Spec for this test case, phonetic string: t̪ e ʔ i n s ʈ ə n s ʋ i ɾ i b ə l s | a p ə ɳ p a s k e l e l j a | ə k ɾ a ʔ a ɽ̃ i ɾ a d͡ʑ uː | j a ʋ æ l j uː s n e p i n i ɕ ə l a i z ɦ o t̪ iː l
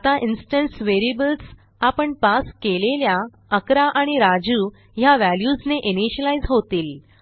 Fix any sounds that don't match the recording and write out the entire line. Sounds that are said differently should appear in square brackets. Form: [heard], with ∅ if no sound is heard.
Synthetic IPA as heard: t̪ [a] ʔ i n s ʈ ə n s ʋ [e] ɾ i b ə l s | a p ə ɳ p a s k e l e l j a | ə k ɾ a ʔ a ɽ̃ i ɾ a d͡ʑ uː | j a ʋ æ l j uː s n e [ʔ] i n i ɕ ə l a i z ɦ o t̪ iː l